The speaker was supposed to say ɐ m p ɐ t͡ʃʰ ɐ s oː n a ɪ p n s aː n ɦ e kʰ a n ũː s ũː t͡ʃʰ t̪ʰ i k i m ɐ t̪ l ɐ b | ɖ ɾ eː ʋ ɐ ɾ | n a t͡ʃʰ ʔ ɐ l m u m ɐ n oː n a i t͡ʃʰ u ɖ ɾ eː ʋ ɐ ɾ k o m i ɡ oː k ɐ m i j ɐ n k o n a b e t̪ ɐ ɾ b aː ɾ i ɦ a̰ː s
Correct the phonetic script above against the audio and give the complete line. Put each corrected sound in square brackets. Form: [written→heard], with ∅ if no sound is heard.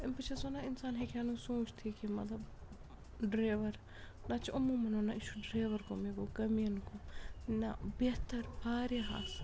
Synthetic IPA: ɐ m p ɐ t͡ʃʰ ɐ s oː n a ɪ [p→∅] n s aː n ɦ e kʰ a n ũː s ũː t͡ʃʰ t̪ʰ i k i m ɐ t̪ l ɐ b | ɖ ɾ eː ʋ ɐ ɾ | n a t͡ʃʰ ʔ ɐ [l→∅] m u m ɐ n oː n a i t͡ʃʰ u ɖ ɾ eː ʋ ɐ ɾ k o m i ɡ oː k ɐ m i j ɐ n k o n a b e t̪ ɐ ɾ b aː ɾ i ɦ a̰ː s

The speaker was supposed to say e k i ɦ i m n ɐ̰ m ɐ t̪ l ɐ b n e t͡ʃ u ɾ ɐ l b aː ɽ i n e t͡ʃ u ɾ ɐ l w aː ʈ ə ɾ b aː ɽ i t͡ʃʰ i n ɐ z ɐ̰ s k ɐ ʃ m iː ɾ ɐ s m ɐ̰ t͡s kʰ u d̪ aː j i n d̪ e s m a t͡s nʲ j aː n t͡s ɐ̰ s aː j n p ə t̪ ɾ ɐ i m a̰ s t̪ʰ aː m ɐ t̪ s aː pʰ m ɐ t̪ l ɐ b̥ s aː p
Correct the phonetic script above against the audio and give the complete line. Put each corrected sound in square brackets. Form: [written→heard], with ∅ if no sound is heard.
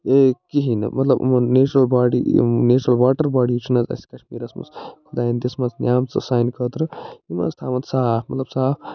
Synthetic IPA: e k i ɦ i [m→∅] n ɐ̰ m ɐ t̪ l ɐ b n e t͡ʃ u ɾ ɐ l b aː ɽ i n e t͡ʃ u ɾ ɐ l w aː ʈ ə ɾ b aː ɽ i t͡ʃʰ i n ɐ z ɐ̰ s k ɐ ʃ m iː ɾ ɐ s m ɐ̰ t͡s kʰ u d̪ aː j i n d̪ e s m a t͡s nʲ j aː [n→m] t͡s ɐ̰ s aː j n [p→k] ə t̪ ɾ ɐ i m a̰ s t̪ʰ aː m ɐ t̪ s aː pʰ m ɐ t̪ l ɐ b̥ s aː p

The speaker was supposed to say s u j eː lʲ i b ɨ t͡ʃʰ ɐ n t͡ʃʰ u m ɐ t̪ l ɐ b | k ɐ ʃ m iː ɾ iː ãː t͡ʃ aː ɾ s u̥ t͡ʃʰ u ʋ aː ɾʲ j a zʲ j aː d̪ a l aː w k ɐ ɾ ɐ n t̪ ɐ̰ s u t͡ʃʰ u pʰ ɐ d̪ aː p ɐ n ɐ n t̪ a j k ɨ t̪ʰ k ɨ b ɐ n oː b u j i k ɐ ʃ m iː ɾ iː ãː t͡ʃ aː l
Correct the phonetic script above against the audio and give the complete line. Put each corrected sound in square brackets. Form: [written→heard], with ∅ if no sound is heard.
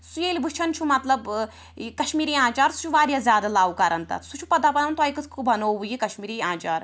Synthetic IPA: s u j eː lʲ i b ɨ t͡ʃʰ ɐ n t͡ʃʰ u m ɐ t̪ l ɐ b | k ɐ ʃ m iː ɾ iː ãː t͡ʃ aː ɾ s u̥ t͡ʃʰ u ʋ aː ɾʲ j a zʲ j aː d̪ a l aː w k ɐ ɾ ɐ n t̪ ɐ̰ s u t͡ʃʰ u [pʰ→p] ɐ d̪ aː p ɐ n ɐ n t̪ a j k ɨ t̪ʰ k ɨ b ɐ n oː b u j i k ɐ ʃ m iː ɾ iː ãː t͡ʃ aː [l→ɾ]

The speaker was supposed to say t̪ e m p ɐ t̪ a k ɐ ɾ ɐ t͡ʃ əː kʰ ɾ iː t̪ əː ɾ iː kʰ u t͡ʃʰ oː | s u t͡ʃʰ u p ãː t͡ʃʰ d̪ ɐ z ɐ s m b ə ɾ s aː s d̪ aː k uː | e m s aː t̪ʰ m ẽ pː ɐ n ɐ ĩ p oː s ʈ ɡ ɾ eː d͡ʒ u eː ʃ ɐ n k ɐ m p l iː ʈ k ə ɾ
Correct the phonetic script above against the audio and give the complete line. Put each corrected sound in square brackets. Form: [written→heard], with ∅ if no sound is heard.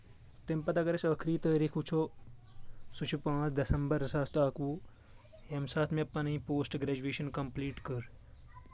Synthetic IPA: t̪ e m p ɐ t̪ a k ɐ ɾ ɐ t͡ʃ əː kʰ ɾ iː t̪ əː ɾ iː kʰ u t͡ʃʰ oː | s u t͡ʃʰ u p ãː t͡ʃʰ d̪ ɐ [z→s] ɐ [s→∅] m b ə ɾ s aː s [d̪→t̪] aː k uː | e m s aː t̪ʰ m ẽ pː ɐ n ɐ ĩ p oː s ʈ ɡ ɾ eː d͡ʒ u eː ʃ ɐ n k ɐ m p l iː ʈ k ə ɾ

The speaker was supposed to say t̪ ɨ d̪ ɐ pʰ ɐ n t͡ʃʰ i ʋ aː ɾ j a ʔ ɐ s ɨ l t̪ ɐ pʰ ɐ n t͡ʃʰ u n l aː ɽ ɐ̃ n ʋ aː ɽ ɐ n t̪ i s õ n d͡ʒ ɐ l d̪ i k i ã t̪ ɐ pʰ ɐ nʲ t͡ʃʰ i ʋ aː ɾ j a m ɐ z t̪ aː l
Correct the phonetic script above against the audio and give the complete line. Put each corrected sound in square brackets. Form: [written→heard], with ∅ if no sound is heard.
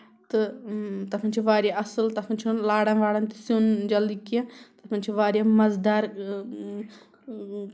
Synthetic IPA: t̪ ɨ [d̪→t̪] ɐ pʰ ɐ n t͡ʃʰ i ʋ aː ɾ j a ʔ ɐ s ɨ l t̪ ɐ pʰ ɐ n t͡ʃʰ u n l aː ɽ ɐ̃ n ʋ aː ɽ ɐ n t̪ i s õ n d͡ʒ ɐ l d̪ i k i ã t̪ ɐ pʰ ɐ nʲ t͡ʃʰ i ʋ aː ɾ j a m ɐ z [t̪→d̪] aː [l→ɾ]

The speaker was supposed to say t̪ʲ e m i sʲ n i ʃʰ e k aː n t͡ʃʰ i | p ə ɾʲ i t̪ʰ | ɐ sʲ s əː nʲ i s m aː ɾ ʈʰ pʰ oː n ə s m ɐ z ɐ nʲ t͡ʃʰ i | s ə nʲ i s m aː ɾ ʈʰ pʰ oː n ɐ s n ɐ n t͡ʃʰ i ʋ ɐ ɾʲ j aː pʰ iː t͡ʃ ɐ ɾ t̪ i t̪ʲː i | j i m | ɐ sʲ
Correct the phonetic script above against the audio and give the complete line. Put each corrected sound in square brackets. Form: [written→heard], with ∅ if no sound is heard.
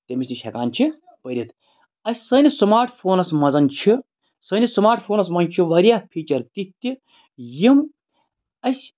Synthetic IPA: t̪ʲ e m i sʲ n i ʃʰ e k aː n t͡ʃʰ i | p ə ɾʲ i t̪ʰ | ɐ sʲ s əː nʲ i s m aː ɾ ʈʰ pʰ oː n [ə→ɐ] s m ɐ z ɐ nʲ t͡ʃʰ i | s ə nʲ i s m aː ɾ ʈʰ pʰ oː n ɐ s [n→m] ɐ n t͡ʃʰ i ʋ ɐ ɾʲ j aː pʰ iː t͡ʃ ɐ ɾ t̪ i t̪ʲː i | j i m | ɐ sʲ

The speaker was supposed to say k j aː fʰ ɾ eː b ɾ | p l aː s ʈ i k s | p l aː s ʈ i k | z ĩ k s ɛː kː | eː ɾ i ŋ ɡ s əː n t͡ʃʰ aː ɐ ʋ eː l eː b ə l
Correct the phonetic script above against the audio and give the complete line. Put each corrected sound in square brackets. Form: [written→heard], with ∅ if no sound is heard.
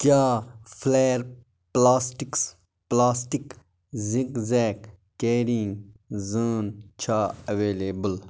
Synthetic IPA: k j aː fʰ [ɾ→l] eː [b→∅] ɾ | p l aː s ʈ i k s | p l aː s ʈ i k | z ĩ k [s→z] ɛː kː | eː ɾ i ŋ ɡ [s→z] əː n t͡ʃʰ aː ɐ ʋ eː l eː b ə l

